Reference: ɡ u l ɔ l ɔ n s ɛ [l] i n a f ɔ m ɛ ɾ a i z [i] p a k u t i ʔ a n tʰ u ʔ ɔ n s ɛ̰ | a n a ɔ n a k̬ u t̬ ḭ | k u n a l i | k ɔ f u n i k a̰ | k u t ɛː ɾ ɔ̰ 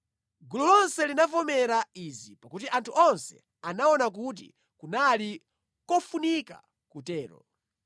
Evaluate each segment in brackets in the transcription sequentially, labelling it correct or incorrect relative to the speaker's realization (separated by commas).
correct, correct